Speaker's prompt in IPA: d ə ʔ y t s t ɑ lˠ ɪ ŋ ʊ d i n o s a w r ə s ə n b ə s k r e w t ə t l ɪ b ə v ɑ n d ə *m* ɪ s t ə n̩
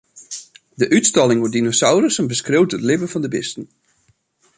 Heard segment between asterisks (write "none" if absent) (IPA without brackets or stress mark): b